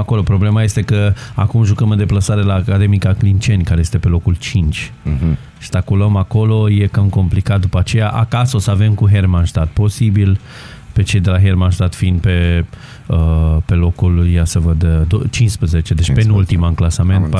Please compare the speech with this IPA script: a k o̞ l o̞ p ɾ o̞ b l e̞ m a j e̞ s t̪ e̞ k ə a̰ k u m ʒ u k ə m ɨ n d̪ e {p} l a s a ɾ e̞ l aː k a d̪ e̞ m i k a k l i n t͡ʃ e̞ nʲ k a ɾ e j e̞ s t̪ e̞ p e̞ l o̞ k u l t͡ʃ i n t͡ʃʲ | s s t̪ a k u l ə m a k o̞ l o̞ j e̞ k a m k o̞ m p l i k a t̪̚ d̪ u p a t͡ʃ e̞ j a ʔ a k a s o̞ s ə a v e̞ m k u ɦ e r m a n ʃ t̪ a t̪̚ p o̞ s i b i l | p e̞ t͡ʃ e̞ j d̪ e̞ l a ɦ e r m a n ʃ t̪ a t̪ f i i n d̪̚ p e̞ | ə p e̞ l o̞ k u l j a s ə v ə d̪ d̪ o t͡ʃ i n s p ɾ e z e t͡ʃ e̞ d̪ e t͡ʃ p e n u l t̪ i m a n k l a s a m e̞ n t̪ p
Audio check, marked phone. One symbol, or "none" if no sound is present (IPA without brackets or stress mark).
p